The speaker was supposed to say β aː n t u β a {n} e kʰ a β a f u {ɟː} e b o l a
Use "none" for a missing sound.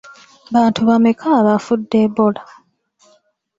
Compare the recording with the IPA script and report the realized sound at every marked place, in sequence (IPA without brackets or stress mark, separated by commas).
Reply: m, dː